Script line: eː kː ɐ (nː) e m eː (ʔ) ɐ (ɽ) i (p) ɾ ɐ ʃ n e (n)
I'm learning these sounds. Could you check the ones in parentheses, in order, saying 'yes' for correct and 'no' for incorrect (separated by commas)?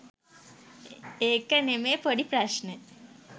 no, no, yes, yes, no